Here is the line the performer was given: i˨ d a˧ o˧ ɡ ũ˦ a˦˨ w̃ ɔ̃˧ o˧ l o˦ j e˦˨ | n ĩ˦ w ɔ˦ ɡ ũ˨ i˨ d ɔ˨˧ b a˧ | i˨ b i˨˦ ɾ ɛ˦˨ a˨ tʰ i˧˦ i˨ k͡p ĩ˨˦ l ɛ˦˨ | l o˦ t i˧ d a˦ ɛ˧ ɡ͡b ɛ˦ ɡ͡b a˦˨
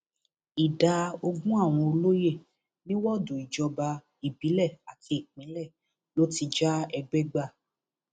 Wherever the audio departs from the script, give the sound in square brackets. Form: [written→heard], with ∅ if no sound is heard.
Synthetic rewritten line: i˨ d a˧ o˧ ɡ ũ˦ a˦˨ w̃ ɔ̃˧ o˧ l o˦ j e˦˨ | n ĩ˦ w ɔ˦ [ɡ→d] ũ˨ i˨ [d→d͡ʒ] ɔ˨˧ b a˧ | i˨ b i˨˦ [ɾ→l] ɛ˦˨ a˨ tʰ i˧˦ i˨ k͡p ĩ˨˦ l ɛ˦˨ | l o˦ t i˧ [d→d͡ʒ] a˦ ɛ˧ ɡ͡b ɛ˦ ɡ͡b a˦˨